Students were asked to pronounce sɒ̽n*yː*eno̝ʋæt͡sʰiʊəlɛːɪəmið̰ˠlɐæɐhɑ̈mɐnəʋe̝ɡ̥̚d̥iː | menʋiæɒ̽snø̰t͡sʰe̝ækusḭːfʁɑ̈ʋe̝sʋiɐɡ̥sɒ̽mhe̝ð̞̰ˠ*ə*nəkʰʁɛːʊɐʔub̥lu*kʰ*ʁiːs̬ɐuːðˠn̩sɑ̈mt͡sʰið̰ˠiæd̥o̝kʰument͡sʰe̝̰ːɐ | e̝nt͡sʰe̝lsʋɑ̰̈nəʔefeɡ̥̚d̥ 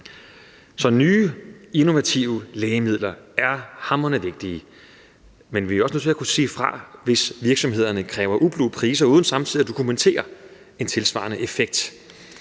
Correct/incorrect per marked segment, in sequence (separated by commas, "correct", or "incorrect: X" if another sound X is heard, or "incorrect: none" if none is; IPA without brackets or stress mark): correct, incorrect: ɐ, incorrect: pʰ